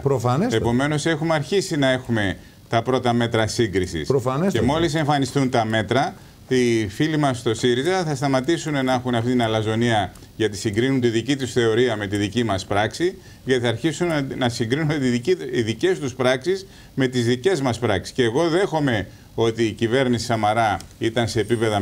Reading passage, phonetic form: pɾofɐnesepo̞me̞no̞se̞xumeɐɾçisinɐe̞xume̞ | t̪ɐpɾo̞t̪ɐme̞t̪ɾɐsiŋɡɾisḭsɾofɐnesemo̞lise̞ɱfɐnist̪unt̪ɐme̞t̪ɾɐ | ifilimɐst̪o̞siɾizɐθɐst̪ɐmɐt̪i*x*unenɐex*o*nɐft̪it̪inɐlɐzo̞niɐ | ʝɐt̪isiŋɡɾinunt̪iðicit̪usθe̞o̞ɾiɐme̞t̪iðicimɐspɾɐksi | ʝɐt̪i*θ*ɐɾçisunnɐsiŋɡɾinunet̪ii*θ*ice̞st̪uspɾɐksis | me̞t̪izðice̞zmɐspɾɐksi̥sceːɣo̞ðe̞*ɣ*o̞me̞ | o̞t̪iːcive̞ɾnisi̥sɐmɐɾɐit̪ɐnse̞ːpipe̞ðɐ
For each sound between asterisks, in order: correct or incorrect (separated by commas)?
incorrect, incorrect, correct, incorrect, incorrect